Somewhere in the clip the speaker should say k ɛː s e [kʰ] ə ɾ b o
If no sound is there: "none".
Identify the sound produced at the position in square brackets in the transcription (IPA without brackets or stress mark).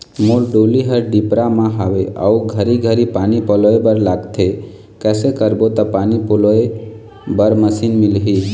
k